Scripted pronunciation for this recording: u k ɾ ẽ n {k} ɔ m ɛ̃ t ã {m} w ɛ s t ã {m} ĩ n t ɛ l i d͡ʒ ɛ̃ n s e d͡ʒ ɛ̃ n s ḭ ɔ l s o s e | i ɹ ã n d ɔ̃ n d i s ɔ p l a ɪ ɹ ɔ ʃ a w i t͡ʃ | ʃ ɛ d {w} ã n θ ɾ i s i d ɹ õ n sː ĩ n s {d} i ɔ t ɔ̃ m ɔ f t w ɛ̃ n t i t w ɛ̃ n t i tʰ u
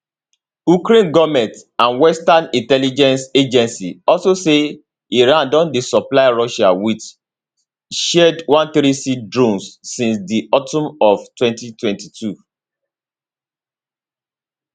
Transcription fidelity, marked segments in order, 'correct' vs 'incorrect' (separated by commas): incorrect, incorrect, incorrect, correct, correct